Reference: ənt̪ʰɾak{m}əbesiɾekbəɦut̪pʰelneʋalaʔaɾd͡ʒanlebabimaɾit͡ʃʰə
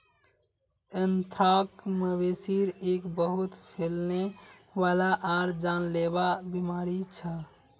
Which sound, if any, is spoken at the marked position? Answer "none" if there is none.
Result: m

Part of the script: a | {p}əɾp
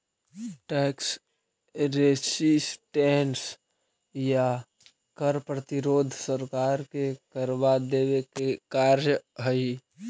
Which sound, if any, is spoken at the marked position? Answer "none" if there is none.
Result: k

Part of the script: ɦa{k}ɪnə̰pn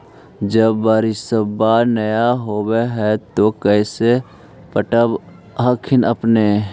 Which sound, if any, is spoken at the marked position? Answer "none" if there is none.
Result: kʰ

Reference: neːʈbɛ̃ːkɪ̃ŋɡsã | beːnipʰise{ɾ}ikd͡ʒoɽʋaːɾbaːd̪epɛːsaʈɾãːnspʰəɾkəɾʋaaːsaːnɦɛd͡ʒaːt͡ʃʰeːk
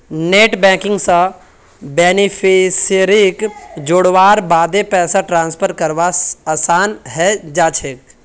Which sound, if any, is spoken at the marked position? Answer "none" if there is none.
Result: ɾ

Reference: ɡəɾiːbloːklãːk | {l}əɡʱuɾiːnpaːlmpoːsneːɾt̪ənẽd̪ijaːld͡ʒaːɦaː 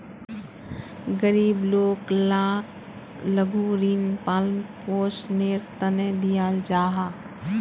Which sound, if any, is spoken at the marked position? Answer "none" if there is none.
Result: l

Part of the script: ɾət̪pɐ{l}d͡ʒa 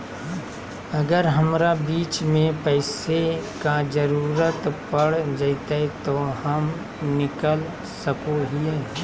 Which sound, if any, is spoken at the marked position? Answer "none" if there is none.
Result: ɽ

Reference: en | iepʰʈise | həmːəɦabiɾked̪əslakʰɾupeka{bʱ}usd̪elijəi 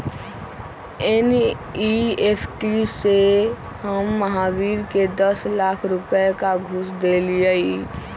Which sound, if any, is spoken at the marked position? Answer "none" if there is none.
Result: ɡʱ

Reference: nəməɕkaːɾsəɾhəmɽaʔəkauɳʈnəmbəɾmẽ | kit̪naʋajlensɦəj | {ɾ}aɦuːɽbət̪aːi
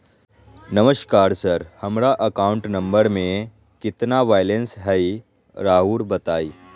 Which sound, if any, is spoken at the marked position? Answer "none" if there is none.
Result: ɾ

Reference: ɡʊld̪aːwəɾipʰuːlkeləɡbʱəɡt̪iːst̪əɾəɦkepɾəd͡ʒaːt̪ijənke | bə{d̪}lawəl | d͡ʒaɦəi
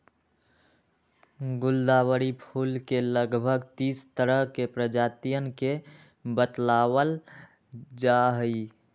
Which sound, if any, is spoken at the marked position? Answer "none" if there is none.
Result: t̪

